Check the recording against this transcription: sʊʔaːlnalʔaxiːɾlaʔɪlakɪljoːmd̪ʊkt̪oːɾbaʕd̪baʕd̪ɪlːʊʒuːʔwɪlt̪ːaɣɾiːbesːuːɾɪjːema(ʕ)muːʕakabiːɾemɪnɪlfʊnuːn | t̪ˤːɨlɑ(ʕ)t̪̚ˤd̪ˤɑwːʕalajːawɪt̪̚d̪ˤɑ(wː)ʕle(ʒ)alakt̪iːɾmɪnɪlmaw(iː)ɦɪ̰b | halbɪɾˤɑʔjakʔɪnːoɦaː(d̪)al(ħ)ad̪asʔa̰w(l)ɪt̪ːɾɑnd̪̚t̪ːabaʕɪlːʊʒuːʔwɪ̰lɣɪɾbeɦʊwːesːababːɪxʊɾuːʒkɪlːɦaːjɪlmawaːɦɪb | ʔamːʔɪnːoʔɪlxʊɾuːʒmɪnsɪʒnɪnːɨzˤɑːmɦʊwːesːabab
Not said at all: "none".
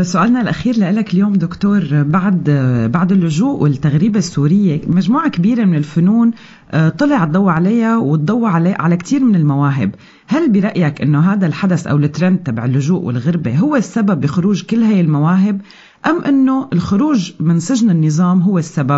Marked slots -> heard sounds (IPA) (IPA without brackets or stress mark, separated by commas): ʒ, ʕ, wː, ʕ, aː, d̪, ħ, l